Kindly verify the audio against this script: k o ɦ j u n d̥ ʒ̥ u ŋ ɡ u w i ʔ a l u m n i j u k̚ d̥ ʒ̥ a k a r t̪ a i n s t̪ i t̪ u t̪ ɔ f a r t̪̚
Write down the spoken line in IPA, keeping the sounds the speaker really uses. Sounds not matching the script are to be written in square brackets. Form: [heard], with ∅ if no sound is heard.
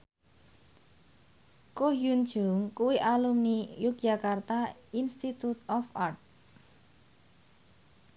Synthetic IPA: k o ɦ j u n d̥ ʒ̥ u ŋ [k] u w i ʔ a l u m n i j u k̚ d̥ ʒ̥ a k a r t̪ a i n s t̪ i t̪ u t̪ ɔ f a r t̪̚